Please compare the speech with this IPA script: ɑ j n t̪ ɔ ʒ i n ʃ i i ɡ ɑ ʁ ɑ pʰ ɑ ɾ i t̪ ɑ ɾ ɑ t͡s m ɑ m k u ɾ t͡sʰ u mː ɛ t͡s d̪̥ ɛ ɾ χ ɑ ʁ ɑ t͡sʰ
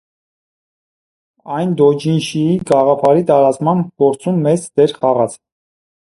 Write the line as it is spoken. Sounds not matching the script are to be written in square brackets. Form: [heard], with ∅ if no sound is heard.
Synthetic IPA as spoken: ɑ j n [d̪] ɔ [d͡ʒ] i n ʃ i i ɡ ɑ ʁ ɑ pʰ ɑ ɾ i t̪ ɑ ɾ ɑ t͡s m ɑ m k [ɔ] ɾ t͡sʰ u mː ɛ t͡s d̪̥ ɛ ɾ χ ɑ ʁ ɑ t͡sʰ